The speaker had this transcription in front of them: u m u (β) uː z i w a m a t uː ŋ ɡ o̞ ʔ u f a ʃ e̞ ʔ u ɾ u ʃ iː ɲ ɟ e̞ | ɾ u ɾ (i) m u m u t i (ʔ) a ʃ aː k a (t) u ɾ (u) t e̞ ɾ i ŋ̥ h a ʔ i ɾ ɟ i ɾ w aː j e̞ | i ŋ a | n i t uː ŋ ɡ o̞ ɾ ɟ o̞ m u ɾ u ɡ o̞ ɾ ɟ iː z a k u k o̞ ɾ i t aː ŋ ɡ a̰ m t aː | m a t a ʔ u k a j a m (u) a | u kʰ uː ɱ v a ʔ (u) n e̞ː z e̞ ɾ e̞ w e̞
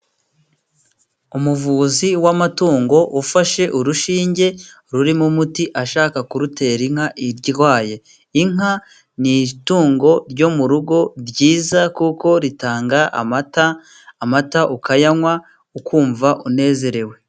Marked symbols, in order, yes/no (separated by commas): no, yes, yes, no, yes, no, yes